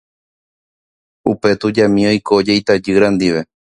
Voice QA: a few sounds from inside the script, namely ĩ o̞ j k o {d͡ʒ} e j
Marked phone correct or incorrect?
correct